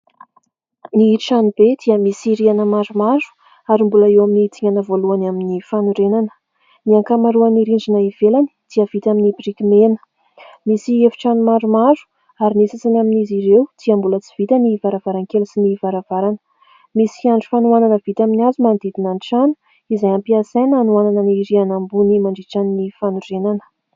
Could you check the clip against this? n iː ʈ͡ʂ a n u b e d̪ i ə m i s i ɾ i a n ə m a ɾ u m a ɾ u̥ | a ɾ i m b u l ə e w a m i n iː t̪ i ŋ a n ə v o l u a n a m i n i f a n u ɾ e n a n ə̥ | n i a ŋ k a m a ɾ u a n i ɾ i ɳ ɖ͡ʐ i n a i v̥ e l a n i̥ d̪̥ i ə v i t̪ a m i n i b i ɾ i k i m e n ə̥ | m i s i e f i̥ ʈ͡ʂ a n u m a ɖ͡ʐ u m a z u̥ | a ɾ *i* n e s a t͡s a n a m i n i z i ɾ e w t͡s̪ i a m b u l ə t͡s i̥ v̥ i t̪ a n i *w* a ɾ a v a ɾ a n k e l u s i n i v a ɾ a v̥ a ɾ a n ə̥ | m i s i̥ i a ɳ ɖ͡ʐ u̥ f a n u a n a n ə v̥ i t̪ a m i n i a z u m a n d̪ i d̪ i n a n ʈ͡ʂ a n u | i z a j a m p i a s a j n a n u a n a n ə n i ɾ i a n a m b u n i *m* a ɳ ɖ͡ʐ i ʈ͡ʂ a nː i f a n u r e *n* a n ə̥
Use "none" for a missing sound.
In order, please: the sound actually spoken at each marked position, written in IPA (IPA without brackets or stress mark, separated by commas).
i, v, m, n